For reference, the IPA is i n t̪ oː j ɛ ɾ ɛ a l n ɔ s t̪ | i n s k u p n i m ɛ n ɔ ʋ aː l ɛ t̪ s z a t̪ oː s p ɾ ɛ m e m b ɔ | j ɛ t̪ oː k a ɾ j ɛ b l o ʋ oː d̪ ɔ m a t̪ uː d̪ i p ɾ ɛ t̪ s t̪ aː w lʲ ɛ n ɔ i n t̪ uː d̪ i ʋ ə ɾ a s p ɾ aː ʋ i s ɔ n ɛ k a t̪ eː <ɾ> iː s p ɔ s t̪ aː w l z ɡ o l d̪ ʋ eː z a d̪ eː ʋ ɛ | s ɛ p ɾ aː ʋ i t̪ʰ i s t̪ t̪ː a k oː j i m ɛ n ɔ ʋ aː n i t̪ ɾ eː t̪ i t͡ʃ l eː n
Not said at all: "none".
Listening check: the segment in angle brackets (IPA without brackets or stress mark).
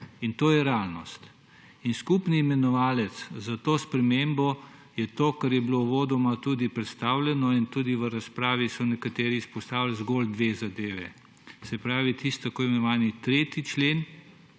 ɾ